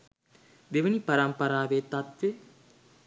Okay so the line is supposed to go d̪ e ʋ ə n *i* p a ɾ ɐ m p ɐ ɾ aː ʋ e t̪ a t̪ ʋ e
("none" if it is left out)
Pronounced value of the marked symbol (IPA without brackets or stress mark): i